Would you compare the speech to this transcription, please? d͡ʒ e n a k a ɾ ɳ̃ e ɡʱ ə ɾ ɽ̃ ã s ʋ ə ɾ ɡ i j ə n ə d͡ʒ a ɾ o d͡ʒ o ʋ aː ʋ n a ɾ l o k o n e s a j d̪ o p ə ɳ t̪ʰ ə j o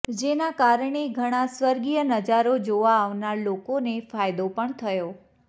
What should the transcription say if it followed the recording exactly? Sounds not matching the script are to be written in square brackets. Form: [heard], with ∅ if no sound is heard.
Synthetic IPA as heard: d͡ʒ e n a k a ɾ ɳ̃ e ɡʱ ə [∅] ɽ̃ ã s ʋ ə ɾ ɡ i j ə n ə d͡ʒ a ɾ o d͡ʒ o ʋ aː ʋ n a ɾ l o k o n e [f] a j d̪ o p ə ɳ t̪ʰ ə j o